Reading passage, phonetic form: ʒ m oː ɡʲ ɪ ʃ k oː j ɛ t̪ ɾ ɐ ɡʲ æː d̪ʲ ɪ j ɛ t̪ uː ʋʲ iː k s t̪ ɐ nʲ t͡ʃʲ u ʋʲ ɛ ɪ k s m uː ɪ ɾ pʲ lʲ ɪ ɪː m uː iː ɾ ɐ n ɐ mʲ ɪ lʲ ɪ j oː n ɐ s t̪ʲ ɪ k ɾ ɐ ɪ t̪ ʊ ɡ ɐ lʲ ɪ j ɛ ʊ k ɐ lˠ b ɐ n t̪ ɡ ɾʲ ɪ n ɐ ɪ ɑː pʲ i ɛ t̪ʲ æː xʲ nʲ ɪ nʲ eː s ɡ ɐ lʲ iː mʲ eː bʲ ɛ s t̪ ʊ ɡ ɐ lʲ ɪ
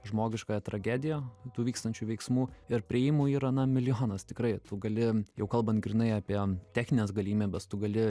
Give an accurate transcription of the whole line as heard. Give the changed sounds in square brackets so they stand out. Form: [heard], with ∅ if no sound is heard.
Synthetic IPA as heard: ʒ m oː ɡʲ ɪ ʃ k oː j ɛ t̪ ɾ ɐ ɡʲ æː d̪ʲ ɪ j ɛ t̪ uː ʋʲ iː k s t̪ ɐ nʲ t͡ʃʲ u ʋʲ ɛ ɪ k s m uː ɪ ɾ pʲ [ɾʲ] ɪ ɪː m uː iː ɾ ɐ n ɐ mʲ ɪ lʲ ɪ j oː n ɐ s t̪ʲ ɪ k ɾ ɐ ɪ t̪ ʊ ɡ ɐ lʲ ɪ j ɛ ʊ k ɐ lˠ b ɐ n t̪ ɡ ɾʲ ɪ n ɐ ɪ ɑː pʲ i ɛ t̪ʲ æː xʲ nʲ ɪ nʲ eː s ɡ ɐ lʲ iː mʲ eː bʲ ɛ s t̪ ʊ ɡ ɐ lʲ ɪ